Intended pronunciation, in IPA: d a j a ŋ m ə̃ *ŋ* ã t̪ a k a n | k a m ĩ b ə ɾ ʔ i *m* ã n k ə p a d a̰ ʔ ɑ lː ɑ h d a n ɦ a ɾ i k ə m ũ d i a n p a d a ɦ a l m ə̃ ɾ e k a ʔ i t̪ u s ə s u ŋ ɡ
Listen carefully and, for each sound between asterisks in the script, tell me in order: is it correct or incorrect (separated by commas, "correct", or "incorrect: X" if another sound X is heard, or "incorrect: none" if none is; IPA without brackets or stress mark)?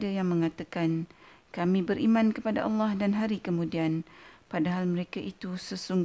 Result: correct, correct